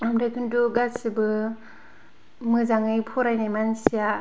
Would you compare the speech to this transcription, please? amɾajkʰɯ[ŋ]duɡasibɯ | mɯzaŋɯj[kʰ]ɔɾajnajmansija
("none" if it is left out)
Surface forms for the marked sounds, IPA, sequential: n, pʰ

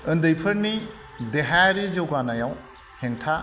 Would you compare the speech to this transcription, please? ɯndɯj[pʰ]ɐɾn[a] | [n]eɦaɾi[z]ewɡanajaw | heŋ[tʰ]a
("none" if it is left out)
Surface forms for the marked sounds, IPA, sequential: pʰ, i, d, z, tʰ

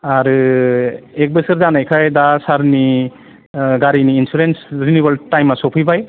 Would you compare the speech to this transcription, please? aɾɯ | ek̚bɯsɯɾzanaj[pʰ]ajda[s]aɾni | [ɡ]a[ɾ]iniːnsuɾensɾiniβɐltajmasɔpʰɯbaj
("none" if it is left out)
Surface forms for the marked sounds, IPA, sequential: kʰ, s, ɡ, ɾ

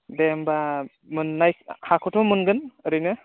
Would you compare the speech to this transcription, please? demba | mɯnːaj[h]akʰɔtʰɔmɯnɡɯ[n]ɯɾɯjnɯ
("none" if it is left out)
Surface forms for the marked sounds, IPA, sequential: h, n

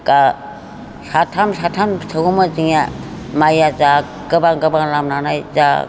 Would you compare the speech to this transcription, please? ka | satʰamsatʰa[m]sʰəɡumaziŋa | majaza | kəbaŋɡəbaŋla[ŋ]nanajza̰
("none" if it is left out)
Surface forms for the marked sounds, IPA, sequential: m, m

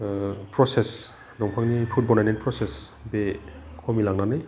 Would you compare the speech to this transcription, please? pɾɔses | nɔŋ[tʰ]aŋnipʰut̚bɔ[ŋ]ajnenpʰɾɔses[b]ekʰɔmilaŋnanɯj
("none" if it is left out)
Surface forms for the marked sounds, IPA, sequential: pʰ, n, b

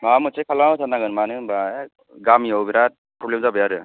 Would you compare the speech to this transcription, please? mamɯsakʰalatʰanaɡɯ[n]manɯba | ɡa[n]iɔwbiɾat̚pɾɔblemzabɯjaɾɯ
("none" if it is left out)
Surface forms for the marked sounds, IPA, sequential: n, m

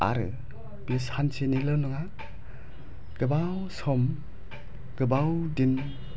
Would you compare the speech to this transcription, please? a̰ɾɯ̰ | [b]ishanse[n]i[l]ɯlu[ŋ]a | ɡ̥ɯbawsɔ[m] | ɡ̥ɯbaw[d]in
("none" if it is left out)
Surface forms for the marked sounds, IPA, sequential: b, n, l, ŋ, m, d

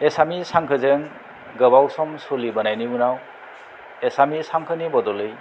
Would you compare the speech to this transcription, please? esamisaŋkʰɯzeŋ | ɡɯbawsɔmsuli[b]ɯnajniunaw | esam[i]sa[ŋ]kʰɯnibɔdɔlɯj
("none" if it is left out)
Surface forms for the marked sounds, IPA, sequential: b, i, ŋ

